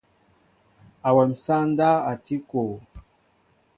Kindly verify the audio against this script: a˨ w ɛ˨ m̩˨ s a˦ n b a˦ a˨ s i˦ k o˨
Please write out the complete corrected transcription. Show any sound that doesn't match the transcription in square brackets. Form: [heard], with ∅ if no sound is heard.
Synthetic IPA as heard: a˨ w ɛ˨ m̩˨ s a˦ n [d] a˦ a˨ [t] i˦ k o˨